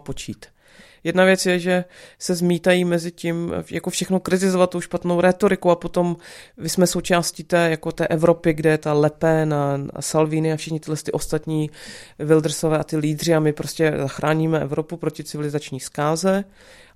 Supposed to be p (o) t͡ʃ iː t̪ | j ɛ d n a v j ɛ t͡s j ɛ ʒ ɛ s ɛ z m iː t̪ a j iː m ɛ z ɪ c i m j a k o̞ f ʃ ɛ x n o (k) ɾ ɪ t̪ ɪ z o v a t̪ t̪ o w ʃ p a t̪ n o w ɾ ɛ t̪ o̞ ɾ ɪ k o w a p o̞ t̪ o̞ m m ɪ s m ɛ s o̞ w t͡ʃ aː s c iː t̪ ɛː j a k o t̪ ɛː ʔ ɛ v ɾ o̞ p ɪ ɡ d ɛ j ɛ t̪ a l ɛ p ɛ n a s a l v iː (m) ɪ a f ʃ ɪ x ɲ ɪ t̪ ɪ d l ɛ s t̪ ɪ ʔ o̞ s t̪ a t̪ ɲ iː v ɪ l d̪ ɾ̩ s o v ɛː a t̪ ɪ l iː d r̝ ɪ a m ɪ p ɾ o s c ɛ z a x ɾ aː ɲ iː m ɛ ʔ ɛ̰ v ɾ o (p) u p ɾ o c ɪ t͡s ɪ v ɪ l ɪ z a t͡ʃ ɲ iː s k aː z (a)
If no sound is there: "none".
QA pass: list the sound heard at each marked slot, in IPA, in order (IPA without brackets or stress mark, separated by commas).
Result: o, k, n, p, ɛ